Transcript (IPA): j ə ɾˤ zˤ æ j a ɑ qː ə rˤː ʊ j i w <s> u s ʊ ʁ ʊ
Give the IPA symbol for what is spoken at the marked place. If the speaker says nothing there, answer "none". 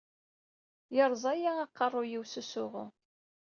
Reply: s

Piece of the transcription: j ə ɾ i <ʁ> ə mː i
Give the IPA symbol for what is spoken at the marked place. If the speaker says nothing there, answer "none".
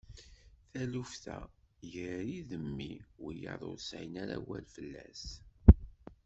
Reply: ð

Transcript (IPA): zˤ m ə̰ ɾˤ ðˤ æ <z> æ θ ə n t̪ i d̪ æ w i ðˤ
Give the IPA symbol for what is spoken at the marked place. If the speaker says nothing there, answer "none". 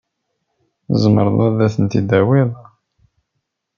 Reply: ð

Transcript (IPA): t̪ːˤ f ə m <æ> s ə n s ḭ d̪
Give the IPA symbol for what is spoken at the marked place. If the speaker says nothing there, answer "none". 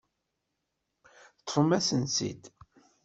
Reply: æ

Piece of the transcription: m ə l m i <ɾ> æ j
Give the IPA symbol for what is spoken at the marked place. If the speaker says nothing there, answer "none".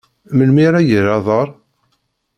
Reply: ɾ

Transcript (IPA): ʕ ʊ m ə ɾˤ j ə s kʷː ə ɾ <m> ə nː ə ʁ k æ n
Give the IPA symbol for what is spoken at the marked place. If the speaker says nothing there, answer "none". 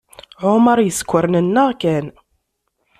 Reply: n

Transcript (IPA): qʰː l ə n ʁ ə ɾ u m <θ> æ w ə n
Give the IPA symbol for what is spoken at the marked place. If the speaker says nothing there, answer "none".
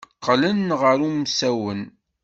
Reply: s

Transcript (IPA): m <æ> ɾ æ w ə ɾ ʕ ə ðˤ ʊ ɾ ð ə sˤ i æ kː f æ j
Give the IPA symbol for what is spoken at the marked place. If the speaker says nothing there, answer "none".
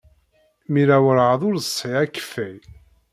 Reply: i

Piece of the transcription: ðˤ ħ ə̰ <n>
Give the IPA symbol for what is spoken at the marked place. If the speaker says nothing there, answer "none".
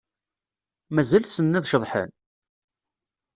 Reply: n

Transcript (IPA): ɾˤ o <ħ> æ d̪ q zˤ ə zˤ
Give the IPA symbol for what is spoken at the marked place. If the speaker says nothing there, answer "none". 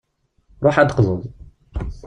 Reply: ħ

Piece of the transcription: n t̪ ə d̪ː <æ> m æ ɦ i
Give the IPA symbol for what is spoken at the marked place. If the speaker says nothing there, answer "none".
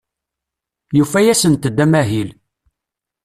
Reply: æ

